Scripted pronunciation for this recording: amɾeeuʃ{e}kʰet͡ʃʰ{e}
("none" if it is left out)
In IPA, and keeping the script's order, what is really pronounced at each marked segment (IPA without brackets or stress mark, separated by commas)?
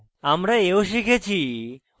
i, i